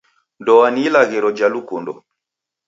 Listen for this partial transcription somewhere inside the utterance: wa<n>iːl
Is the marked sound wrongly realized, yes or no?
no